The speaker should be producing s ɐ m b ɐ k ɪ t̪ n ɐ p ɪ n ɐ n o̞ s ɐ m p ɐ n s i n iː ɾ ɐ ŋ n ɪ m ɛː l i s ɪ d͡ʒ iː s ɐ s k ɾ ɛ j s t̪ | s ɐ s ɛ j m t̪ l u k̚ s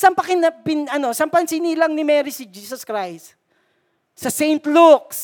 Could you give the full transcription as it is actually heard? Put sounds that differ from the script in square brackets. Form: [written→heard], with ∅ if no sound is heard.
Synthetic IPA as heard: s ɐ m [b→p] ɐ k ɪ [t̪→∅] n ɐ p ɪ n ɐ n o̞ s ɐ m p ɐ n s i n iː [ɾ→l] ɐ ŋ n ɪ m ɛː [l→ɾ] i s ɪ d͡ʒ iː s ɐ s k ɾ [ɛ→a] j s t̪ | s ɐ s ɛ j [m→n] t̪ l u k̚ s